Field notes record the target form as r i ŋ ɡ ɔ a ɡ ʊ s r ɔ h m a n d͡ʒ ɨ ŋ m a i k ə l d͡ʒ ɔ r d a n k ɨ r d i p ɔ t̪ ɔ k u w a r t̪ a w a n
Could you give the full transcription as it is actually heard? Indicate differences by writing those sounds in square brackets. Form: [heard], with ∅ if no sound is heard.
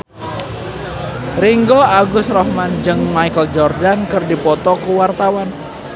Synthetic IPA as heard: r i ŋ ɡ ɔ a ɡ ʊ s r ɔ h m a n d͡ʒ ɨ ŋ m a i k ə l d͡ʒ ɔ r d a n k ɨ r d i p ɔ t̪ ɔ k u w a r t̪ a w a n